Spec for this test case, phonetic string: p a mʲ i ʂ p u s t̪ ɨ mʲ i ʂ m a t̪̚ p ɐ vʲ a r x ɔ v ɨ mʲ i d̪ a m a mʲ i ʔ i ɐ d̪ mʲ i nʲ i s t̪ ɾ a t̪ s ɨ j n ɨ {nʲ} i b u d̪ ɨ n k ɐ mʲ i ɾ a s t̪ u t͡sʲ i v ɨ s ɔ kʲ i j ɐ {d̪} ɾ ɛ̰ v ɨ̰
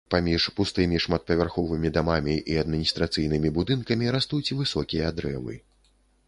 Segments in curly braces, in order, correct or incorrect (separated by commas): incorrect, correct